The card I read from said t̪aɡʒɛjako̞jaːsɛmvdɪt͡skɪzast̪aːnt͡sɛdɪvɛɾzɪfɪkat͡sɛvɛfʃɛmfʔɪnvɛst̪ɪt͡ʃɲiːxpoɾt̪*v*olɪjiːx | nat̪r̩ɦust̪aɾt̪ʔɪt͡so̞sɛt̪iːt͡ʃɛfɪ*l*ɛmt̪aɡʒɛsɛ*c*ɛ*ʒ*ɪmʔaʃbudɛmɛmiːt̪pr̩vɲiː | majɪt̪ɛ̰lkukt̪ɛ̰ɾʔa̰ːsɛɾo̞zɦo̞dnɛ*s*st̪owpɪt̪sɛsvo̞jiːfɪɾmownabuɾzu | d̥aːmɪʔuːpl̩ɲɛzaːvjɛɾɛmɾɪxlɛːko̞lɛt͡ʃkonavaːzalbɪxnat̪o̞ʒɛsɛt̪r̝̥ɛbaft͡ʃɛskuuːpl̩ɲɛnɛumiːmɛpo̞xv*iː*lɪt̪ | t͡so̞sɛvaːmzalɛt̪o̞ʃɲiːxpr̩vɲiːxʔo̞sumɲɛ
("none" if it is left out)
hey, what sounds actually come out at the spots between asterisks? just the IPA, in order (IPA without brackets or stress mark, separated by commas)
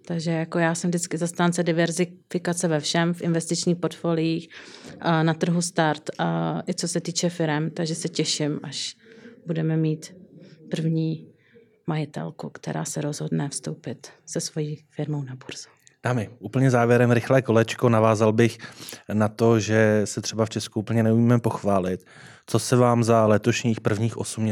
f, ɾ, c, ʃ, f, aː